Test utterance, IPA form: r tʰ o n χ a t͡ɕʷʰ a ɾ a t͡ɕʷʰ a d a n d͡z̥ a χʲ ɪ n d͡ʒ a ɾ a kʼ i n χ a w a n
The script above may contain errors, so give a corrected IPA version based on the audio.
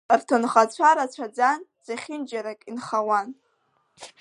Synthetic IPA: r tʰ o n χ a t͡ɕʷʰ a ɾ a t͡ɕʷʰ a d͡z a n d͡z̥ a χʲ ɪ n d͡ʒ a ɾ a kʼ i n χ a w a n